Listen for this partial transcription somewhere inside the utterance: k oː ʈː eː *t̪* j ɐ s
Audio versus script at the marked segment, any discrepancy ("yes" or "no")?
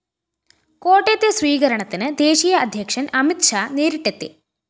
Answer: no